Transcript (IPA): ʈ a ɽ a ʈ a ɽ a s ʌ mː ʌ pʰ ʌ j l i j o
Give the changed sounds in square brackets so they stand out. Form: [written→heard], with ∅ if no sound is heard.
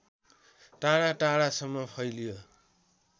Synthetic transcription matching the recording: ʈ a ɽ a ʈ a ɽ a s ʌ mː ʌ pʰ ʌ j l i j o